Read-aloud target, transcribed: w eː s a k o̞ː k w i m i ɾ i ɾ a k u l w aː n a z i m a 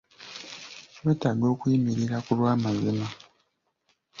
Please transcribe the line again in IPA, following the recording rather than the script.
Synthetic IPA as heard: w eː t a ɡ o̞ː k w i m i ɾ i ɾ a k u l w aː m a z i m a